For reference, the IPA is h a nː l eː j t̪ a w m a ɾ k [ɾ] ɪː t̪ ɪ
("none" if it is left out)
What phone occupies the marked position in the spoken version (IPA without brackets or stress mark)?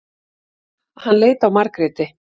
ɾ